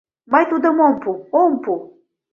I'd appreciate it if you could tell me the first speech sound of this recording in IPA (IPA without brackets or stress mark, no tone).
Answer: m